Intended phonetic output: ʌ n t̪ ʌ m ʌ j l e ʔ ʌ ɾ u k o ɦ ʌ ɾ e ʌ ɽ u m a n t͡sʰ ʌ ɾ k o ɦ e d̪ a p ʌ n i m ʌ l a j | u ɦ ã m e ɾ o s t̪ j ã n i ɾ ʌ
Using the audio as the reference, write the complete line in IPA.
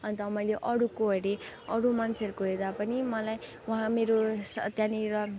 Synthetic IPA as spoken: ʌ n t̪ ʌ m ʌ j l e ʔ ʌ ɽ u k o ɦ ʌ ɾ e ʌ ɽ u m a n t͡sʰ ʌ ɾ k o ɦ e d̪ a p ʌ n i m ʌ l a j | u ɦ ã m e ɾ o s t̪ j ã n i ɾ ʌ